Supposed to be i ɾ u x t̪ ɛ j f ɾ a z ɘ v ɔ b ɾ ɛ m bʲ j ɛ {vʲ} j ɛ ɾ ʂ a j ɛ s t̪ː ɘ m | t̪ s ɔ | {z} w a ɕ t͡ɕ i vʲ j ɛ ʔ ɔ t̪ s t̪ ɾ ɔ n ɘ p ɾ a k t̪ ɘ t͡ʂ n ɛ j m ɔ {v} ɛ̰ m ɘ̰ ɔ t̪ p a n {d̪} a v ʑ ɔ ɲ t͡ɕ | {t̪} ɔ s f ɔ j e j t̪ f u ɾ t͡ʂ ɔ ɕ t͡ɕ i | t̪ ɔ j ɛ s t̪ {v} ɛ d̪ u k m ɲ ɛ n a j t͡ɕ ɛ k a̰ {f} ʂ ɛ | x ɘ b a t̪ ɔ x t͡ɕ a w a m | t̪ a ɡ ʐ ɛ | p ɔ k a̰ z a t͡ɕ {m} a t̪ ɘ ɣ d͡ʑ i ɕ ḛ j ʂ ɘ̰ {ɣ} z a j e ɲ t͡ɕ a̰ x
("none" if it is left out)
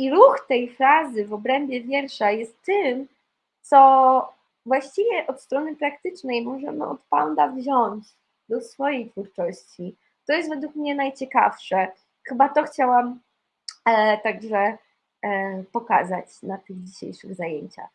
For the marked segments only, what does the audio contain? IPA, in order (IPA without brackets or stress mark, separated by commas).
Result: vʲ, v, ʐ, d̪, d̪, v, f, n, ɣ